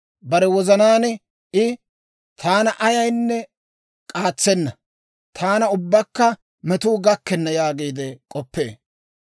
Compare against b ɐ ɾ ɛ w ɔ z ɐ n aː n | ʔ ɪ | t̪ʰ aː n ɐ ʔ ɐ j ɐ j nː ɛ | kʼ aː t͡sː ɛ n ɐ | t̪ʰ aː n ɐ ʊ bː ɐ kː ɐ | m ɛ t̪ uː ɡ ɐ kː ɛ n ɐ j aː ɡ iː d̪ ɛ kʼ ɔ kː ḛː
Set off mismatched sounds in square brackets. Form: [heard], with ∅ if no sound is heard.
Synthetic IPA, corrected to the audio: b ɐ ɾ ɛ w ɔ z ɐ n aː n | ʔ ɪ | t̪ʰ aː n ɐ ʔ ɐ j ɐ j nː ɛ | kʼ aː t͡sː ɛ [nː] ɐ | t̪ʰ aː n ɐ ʊ bː ɐ kː ɐ | m ɛ t̪ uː ɡ ɐ kː ɛ [nː] ɐ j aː ɡ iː d̪ ɛ kʼ ɔ [pː] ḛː